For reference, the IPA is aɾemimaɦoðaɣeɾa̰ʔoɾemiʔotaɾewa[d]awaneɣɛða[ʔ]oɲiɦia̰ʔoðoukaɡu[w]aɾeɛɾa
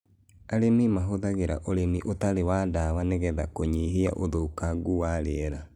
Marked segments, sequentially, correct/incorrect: correct, incorrect: k, correct

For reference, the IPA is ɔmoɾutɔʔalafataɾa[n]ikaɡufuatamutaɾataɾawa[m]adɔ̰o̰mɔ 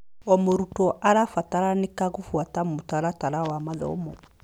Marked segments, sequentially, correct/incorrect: correct, correct

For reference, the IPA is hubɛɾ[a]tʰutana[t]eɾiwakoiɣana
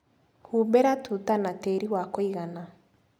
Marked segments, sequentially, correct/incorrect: correct, correct

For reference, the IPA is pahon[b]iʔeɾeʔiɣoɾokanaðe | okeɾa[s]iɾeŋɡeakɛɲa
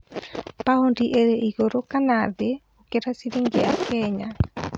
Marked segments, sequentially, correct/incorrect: incorrect: d, correct

